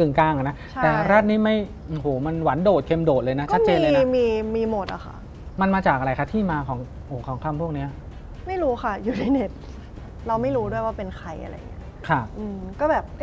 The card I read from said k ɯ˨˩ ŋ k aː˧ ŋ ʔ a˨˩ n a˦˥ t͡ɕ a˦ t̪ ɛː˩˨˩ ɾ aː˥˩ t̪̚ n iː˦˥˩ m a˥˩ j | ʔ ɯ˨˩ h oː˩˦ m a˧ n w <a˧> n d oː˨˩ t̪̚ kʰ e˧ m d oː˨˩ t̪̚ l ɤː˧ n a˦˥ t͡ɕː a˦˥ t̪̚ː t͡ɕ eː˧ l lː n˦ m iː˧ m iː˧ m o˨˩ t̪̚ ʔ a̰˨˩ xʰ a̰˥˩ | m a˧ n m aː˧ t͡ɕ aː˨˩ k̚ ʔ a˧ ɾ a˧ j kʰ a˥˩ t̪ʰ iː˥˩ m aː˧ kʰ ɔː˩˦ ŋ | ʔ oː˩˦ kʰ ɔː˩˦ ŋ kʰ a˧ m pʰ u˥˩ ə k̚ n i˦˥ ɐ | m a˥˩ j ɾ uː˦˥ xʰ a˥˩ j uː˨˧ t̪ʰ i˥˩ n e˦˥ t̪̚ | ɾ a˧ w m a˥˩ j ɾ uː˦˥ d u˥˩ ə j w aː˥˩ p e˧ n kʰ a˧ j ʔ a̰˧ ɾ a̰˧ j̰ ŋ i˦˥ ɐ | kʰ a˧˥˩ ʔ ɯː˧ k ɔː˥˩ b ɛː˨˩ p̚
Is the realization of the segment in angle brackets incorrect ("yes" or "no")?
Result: yes